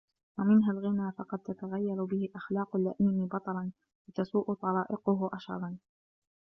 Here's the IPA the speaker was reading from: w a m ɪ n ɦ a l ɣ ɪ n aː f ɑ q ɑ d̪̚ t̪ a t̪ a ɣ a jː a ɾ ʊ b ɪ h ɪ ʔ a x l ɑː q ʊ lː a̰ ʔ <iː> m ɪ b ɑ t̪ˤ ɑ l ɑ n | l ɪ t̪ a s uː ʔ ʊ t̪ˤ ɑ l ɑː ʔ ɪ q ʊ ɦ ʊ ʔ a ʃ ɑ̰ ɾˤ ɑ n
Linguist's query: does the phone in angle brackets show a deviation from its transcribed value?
no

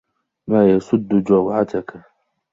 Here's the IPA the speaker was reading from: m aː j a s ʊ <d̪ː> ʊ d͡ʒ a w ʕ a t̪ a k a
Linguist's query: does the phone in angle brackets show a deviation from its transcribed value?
no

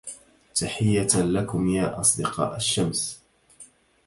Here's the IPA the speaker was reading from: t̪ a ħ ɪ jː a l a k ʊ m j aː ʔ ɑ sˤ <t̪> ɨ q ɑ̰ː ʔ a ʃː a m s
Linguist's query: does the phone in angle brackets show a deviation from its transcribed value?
yes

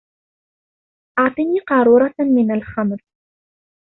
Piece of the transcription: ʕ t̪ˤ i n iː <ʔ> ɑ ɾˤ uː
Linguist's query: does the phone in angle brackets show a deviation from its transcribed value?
yes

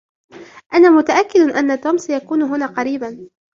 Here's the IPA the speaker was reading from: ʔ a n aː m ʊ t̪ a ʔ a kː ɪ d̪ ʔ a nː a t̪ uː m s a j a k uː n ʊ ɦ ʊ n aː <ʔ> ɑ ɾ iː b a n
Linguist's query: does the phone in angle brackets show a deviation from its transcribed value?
yes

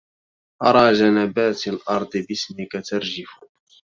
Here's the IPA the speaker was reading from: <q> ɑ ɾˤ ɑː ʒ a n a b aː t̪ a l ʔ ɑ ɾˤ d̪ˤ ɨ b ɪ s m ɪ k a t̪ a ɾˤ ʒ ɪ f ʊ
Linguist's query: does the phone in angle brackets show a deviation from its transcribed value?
yes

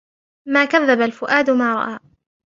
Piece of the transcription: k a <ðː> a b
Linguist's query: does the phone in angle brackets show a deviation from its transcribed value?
no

